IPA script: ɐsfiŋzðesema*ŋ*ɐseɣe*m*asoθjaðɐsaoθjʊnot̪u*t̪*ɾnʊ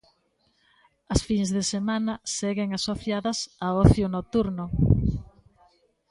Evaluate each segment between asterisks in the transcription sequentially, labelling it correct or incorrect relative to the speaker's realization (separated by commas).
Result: incorrect, incorrect, incorrect